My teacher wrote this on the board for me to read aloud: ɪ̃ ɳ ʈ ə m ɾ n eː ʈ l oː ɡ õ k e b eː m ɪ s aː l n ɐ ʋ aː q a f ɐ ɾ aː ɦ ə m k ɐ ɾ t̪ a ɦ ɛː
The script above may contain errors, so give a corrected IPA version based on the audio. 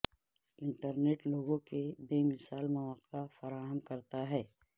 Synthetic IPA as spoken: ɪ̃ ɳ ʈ ə ɾ n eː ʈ l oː ɡ õ k e b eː m ɪ s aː l m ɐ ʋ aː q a f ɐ ɾ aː ɦ ə m k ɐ ɾ t̪ a ɦ ɛː